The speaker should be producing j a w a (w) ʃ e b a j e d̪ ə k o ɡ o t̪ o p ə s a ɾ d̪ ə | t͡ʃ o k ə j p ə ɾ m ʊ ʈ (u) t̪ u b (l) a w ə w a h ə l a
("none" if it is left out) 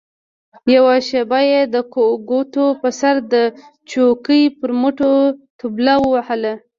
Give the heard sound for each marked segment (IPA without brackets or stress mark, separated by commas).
none, o, l